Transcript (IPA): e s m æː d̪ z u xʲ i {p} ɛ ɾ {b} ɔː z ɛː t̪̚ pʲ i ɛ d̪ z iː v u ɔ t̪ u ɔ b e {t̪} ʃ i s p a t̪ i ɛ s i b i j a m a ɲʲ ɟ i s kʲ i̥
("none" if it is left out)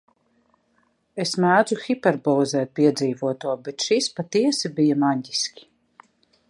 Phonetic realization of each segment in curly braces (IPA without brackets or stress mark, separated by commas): p, b, t̪